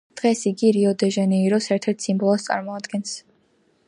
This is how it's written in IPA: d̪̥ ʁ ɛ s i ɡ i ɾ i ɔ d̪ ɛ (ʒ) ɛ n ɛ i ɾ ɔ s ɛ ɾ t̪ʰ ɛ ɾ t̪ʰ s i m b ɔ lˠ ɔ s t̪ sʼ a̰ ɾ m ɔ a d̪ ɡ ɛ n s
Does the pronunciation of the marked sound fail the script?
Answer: no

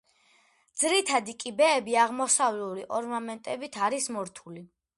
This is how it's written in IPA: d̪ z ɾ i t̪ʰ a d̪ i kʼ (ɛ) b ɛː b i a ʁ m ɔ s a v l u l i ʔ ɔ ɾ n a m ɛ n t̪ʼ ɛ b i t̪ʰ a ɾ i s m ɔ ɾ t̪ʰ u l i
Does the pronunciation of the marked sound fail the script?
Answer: yes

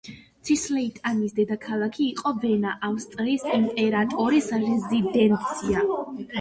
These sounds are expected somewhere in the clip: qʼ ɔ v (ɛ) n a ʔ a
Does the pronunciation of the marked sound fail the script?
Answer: no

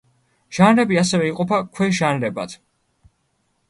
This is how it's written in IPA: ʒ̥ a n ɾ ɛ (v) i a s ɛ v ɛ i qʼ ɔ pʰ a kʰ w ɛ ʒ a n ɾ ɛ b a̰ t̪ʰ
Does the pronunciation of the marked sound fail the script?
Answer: yes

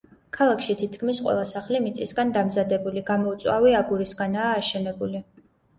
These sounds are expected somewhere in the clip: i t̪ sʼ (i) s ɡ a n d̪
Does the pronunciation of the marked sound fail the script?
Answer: no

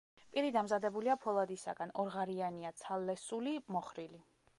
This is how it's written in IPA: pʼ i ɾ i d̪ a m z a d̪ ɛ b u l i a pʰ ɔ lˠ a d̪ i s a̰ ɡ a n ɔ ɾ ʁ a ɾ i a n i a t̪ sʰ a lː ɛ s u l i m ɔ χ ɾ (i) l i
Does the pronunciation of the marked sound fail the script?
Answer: no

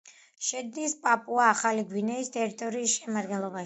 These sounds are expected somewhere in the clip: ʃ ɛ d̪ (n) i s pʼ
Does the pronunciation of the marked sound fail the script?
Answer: no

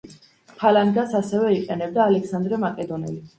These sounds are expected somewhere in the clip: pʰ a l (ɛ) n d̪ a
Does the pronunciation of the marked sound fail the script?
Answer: yes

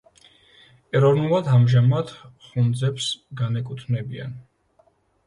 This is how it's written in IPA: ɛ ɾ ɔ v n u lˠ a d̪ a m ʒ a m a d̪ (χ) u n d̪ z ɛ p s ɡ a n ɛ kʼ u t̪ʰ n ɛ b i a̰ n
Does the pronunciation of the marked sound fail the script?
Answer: no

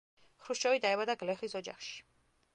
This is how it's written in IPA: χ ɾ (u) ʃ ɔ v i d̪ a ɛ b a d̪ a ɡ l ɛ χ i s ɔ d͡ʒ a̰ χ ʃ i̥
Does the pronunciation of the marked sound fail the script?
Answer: no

